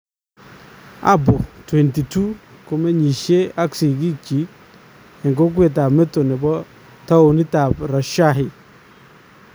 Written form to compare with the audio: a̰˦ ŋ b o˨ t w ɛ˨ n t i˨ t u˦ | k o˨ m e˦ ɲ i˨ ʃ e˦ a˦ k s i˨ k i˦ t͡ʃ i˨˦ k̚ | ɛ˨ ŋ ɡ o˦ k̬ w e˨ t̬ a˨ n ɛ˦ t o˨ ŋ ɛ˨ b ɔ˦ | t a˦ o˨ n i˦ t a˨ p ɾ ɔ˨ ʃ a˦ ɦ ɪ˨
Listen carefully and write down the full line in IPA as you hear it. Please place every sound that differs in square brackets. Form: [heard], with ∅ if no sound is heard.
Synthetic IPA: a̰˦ [∅] b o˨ t w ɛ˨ n t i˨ t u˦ | k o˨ m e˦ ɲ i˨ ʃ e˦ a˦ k s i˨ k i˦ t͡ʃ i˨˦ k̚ | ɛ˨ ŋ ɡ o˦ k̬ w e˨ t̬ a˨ [m] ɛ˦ t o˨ [n] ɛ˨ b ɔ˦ | t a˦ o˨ n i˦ t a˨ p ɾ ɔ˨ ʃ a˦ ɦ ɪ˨